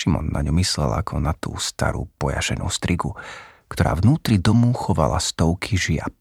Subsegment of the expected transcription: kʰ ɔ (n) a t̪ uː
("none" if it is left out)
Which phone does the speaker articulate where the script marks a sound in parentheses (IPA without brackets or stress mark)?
n